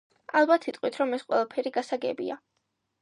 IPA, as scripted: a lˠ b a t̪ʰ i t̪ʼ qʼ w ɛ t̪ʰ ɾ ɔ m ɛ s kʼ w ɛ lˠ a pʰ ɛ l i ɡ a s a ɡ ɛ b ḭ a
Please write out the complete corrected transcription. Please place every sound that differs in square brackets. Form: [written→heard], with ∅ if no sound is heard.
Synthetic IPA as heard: a lˠ b a t̪ʰ i t̪ʼ qʼ w [ɛ→i] t̪ʰ ɾ ɔ m ɛ s [kʼ→qʼ] w ɛ lˠ a pʰ ɛ [l→ɾ] i ɡ a s a ɡ ɛ b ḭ a